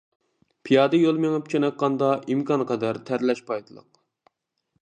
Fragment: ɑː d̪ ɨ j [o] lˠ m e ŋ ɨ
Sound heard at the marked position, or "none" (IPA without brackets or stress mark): o